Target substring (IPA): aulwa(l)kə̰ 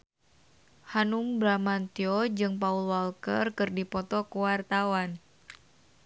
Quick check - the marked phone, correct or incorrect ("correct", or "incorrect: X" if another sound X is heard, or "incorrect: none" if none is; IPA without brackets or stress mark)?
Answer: correct